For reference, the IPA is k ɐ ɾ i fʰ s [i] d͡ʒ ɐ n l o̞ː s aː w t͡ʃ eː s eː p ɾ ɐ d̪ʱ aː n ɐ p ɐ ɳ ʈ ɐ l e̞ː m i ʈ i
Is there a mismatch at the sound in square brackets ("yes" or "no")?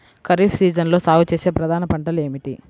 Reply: yes